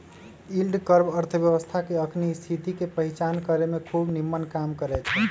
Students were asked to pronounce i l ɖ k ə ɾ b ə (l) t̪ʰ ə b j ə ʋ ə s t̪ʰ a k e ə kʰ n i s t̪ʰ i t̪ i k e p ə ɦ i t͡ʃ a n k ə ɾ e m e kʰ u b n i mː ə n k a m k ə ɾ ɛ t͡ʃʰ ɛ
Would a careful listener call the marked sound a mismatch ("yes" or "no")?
yes